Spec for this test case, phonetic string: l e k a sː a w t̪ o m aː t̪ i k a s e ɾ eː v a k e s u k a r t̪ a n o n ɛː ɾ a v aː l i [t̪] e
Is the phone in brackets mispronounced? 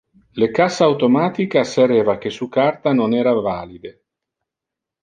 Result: yes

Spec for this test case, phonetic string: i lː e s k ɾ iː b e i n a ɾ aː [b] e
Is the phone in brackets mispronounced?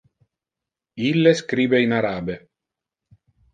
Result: no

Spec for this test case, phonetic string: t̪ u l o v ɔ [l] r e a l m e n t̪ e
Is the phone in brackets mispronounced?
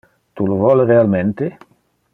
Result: no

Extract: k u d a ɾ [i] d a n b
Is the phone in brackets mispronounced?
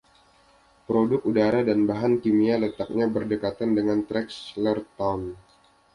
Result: yes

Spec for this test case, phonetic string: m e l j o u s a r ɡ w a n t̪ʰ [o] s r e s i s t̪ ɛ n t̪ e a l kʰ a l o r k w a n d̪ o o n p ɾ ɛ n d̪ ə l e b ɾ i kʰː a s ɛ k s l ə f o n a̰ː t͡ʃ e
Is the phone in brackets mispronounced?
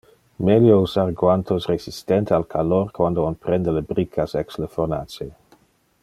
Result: no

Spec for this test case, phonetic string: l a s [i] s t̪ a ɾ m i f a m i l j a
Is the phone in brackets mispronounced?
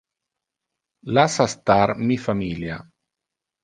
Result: yes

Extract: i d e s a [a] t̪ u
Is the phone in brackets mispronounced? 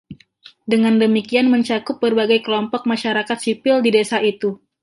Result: yes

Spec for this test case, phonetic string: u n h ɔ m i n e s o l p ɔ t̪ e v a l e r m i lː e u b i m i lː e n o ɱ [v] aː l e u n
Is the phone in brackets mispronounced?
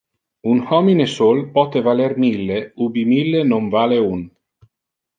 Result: no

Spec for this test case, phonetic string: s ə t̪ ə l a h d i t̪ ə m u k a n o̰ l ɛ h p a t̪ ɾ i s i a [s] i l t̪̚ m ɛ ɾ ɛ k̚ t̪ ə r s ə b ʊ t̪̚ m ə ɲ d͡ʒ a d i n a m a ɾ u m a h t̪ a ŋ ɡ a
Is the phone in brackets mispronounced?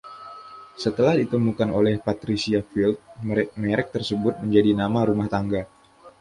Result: yes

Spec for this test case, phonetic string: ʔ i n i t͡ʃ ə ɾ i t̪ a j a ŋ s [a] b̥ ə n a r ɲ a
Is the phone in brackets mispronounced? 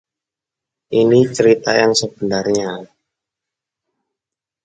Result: yes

